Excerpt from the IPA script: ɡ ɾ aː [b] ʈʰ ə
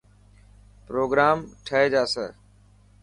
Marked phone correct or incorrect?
incorrect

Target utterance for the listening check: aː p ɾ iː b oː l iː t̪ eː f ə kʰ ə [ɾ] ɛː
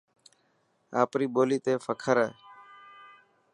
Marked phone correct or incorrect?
correct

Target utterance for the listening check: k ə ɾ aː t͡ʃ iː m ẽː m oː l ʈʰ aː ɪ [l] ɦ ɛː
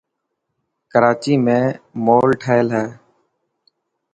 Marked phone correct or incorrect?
correct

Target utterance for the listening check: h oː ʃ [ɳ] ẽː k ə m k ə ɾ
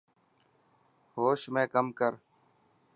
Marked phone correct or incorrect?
incorrect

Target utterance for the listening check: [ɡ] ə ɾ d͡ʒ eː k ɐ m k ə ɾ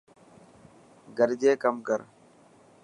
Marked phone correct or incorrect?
correct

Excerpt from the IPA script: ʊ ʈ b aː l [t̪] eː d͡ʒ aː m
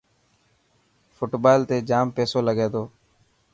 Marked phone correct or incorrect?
correct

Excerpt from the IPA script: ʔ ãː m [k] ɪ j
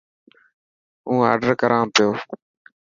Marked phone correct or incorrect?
incorrect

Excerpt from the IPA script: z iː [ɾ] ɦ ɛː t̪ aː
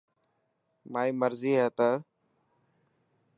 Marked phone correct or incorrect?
incorrect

